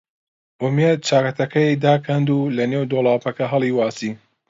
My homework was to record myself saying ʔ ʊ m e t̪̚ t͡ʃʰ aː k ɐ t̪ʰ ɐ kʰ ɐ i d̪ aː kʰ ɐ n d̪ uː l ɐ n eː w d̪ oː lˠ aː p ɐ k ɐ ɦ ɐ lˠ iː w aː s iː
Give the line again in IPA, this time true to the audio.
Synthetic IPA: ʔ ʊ m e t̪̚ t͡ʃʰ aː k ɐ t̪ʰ ɐ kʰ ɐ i d̪ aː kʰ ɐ n d̪ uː l ɐ n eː w d̪ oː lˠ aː p ɐ k ɐ ɦ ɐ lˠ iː w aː s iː